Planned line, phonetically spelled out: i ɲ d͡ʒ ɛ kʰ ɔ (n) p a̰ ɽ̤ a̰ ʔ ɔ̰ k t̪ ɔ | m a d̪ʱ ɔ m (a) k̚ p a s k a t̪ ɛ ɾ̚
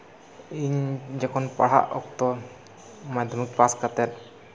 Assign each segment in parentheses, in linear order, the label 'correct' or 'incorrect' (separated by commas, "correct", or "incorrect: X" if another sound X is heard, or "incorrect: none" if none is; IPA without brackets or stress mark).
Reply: correct, incorrect: i